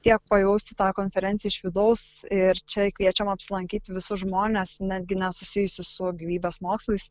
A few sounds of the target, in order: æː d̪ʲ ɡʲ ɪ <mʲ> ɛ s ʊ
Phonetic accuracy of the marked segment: incorrect: nʲ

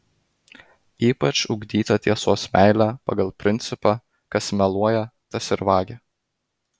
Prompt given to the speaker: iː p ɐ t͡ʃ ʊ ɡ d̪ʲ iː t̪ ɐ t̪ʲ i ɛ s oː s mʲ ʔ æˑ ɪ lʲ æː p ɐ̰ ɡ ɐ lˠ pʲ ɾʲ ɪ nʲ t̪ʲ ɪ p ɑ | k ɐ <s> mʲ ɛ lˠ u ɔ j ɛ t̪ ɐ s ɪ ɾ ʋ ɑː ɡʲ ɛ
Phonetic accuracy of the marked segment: correct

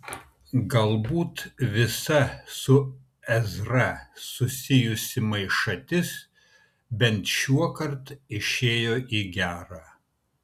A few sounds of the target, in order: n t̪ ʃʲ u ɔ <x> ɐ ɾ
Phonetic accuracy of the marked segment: incorrect: k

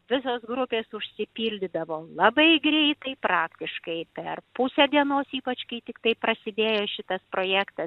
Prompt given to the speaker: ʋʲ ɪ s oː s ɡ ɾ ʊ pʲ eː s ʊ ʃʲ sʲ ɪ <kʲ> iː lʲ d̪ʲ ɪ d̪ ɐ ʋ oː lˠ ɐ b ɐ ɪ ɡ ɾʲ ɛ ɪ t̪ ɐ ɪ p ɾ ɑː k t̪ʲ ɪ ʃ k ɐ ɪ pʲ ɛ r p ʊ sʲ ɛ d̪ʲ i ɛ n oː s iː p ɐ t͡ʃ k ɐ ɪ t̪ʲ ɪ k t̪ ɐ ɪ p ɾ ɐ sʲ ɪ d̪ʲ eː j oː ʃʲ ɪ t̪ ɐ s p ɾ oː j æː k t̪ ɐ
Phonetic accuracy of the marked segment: incorrect: pʲ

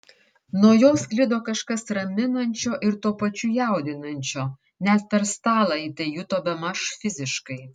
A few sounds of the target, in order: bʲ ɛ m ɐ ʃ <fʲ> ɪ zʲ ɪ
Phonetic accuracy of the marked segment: correct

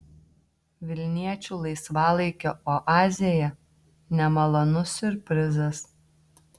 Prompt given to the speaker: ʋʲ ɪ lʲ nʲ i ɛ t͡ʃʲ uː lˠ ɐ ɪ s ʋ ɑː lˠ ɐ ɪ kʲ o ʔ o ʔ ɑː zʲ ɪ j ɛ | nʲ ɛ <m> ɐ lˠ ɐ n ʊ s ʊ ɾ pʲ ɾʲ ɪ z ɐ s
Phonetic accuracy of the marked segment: correct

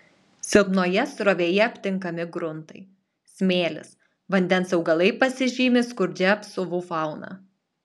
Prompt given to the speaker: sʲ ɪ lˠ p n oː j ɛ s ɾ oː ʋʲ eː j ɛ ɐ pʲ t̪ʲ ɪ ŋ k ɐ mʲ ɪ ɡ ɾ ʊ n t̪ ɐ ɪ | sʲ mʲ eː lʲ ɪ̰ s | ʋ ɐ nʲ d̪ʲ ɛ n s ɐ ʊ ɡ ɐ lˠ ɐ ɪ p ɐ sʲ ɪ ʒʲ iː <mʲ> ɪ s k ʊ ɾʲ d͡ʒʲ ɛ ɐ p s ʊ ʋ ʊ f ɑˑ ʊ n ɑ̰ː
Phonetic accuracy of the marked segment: correct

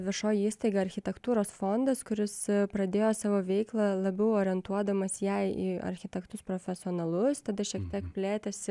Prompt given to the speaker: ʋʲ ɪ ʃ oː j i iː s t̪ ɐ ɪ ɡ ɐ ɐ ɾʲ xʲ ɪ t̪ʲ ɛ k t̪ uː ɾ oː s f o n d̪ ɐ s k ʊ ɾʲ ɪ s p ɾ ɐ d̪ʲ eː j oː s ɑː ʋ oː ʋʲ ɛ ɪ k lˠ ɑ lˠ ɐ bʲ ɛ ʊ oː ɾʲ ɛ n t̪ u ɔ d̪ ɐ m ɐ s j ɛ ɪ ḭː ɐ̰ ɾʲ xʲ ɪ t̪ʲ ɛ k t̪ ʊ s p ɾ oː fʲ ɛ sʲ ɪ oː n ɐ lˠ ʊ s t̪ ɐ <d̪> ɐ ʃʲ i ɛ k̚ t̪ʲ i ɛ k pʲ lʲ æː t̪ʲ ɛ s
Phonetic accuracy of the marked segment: correct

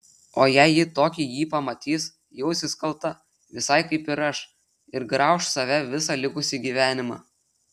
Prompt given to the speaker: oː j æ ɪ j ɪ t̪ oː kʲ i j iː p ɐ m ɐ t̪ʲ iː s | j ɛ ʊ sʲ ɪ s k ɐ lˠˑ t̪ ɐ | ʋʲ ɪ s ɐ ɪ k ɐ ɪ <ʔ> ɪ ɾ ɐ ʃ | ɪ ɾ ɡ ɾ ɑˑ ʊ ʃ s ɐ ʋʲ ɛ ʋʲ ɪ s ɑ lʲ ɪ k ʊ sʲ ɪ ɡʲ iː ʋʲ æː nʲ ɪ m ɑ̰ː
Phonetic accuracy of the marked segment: incorrect: p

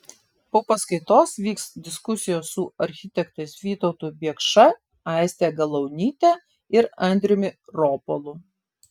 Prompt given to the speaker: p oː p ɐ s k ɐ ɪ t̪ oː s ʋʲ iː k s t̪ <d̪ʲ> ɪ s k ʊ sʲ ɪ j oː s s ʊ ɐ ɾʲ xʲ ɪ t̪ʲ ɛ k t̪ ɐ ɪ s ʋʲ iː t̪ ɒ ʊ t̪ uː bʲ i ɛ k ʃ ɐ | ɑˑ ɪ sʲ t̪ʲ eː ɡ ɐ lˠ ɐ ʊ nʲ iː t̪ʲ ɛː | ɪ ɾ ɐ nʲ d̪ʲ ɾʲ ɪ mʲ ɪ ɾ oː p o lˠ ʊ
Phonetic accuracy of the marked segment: correct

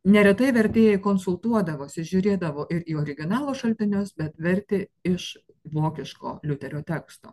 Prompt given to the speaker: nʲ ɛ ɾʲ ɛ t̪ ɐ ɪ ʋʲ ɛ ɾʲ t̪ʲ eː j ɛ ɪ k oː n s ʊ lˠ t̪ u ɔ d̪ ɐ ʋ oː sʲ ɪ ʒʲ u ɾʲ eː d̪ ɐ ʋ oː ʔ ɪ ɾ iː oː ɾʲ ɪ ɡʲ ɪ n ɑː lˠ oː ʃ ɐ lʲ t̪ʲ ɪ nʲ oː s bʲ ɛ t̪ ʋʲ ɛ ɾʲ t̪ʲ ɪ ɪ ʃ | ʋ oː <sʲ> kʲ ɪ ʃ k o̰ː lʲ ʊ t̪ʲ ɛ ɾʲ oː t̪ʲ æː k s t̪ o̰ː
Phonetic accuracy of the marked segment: incorrect: none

